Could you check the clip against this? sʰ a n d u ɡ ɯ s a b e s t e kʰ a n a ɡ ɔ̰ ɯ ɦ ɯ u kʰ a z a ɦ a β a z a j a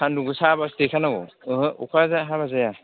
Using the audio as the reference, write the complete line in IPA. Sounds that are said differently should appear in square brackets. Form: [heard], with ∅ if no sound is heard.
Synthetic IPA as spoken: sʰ a n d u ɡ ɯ s a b [a] s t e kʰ a n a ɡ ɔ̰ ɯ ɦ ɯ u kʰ a z a ɦ a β a z a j a